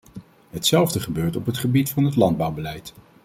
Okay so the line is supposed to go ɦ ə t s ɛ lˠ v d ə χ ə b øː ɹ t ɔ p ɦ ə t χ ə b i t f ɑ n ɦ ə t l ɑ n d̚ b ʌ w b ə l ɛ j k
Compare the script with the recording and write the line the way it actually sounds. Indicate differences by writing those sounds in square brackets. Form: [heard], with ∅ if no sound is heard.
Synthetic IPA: ɦ ə t s ɛ lˠ v d ə χ ə b øː ɹ t ɔ p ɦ ə t χ ə b i t f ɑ n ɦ ə t l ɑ n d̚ b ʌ w b ə l ɛ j [t]